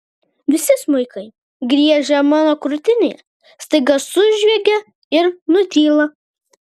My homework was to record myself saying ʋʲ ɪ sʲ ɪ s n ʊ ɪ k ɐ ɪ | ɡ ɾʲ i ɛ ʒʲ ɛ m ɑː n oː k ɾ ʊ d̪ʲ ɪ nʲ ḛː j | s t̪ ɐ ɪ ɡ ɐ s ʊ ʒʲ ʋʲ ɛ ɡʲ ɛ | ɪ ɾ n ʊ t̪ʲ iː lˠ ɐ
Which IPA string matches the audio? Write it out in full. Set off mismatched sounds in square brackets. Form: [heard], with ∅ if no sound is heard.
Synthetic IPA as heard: ʋʲ ɪ sʲ ɪ s [m] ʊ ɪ k ɐ ɪ | ɡ ɾʲ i ɛ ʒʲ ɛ m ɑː n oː k ɾ ʊ [t̪ʲ] ɪ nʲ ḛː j | s t̪ ɐ ɪ ɡ ɐ s ʊ ʒʲ ʋʲ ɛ ɡʲ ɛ | ɪ ɾ n ʊ t̪ʲ iː lˠ ɐ